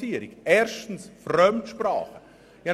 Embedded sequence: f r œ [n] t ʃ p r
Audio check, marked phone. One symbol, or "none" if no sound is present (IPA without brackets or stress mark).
m